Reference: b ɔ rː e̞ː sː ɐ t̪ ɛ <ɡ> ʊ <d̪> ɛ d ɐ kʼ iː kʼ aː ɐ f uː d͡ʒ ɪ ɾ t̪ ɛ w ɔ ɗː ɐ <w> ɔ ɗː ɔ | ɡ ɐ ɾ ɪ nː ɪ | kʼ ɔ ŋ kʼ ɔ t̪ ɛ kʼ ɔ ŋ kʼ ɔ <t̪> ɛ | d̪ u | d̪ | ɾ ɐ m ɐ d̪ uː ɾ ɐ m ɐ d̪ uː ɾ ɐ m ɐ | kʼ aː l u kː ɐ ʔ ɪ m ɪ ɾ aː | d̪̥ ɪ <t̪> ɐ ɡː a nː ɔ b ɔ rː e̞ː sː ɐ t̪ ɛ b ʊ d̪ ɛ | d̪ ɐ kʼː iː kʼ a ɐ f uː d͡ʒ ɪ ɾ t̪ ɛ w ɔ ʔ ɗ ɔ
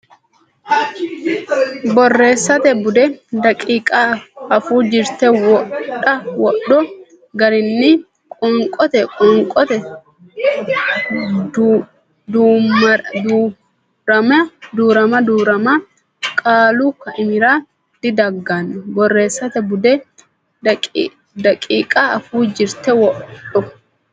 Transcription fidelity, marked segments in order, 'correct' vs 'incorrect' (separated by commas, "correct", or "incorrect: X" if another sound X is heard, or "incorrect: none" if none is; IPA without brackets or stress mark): incorrect: b, correct, correct, correct, incorrect: d̪